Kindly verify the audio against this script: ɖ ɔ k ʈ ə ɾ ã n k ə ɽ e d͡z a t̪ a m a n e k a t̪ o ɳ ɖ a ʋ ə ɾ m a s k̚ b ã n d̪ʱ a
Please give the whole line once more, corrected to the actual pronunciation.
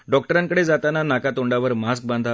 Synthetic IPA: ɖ ɔ k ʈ ə ɾ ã ŋ k ə ɽ e d͡z a t̪ a n a n a k a t̪ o ɳ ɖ a ʋ ə ɾ m a s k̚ b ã n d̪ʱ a